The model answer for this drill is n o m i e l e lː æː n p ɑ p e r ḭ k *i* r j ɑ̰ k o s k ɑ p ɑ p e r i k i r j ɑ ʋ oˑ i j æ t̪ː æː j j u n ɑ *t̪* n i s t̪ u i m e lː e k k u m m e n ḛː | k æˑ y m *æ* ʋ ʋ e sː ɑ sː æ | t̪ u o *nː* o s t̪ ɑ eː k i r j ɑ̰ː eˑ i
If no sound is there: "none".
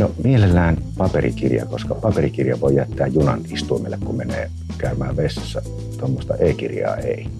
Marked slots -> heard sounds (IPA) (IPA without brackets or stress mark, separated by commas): i, none, æː, mː